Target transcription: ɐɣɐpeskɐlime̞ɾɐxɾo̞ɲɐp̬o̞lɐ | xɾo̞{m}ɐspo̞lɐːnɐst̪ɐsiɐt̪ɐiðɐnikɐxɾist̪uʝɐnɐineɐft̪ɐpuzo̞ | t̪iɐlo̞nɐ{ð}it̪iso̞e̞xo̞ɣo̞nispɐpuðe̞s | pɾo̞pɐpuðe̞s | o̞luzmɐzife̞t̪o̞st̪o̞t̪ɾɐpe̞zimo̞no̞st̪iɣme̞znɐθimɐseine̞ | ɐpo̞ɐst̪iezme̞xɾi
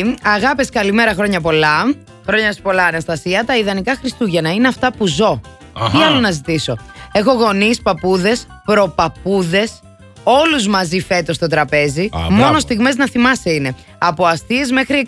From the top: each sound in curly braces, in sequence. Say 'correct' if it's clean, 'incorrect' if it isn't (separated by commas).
incorrect, incorrect